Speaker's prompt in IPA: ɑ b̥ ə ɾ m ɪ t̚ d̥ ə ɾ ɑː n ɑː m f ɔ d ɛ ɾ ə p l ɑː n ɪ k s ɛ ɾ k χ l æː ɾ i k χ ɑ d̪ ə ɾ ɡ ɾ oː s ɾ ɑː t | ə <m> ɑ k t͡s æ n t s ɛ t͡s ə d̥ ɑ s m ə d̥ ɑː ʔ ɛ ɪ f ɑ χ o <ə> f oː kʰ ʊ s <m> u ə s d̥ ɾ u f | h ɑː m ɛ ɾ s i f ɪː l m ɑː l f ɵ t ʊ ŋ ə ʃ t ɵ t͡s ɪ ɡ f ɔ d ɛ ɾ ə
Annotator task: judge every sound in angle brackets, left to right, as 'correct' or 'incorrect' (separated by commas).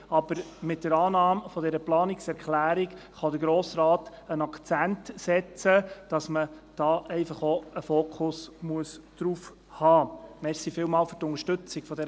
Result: incorrect, correct, correct